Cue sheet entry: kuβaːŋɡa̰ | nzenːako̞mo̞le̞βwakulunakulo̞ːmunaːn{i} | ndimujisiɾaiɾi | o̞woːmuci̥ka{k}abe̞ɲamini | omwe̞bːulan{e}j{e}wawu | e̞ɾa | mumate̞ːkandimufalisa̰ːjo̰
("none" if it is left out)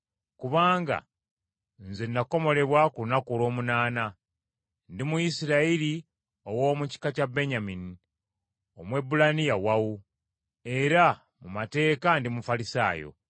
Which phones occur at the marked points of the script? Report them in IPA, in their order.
a, c, i, a

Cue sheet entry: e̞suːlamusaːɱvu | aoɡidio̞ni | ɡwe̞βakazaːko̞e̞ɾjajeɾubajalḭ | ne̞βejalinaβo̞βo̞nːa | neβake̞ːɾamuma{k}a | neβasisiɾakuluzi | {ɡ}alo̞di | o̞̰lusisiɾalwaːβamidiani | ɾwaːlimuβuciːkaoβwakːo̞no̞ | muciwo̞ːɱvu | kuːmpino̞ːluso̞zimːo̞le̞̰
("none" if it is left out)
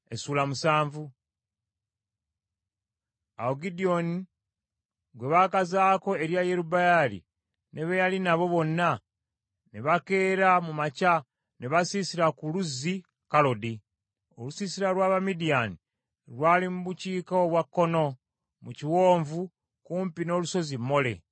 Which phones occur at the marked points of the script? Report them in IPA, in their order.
c, k

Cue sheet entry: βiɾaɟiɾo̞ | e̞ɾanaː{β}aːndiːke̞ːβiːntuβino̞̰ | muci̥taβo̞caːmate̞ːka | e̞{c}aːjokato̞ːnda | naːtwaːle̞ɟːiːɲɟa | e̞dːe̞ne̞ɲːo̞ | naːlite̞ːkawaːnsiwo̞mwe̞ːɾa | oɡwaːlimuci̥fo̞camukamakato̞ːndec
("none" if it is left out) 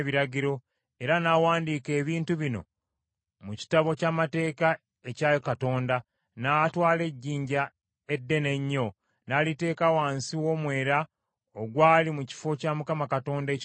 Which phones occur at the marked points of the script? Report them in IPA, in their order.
w, c

